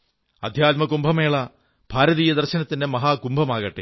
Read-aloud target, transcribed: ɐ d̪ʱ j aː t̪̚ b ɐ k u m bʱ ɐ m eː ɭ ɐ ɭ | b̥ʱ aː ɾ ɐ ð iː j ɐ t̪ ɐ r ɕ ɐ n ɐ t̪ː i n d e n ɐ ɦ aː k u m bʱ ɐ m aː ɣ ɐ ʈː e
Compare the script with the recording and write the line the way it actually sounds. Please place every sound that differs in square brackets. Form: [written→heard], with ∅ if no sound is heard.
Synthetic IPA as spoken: ɐ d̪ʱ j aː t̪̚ [b→m] ɐ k u m bʱ ɐ m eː ɭ ɐ [ɭ→∅] | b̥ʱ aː ɾ ɐ ð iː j ɐ [t̪→d̪] ɐ r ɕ ɐ n ɐ t̪ː i n d e [n→m] ɐ ɦ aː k u m bʱ ɐ m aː ɣ ɐ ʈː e